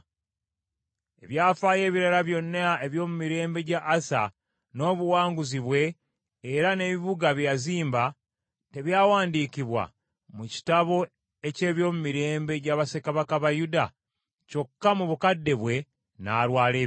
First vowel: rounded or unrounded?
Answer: unrounded